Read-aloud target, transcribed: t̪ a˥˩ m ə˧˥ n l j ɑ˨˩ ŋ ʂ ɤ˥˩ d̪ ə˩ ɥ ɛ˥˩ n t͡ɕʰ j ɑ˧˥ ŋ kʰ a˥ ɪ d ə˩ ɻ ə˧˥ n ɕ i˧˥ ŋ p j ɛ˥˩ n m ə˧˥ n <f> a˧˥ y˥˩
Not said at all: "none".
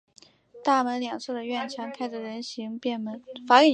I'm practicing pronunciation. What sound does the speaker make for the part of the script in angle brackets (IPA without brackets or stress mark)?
f